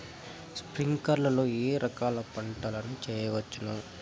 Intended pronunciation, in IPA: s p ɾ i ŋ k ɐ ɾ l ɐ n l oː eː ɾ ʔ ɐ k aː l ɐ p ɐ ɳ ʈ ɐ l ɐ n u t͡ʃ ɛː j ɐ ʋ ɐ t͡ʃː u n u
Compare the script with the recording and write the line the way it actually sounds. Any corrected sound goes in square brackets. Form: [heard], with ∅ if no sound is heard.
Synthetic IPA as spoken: s p ɾ i ŋ k ɐ ɾ l ɐ [∅] l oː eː ɾ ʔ ɐ k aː l ɐ p ɐ ɳ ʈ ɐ l ɐ n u t͡ʃ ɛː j ɐ ʋ ɐ t͡ʃː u n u